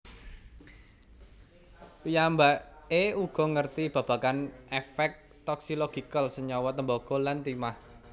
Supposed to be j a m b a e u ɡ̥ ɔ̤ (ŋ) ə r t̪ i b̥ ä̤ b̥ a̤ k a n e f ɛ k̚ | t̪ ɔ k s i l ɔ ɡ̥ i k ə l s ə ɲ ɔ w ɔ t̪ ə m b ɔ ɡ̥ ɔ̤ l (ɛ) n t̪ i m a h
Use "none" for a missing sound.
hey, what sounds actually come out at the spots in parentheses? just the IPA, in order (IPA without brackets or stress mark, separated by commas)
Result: ŋ, a